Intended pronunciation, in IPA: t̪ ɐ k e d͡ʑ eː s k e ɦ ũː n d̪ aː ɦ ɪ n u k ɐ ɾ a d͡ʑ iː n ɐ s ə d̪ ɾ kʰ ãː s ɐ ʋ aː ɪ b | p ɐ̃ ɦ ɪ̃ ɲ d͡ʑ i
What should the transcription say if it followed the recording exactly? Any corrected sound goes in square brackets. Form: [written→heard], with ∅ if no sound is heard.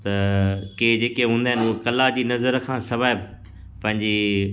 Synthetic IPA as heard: t̪ ɐ k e d͡ʑ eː [s→∅] k e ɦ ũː n d̪ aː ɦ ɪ n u k ɐ [ɾ→l] a d͡ʑ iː n ɐ [s→z] ə [d̪→∅] ɾ kʰ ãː s ɐ ʋ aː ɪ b | p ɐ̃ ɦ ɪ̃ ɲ d͡ʑ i